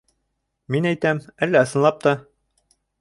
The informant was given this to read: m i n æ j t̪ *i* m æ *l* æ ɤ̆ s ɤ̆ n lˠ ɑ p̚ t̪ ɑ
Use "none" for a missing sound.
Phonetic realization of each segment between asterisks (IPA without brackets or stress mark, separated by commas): æ, lː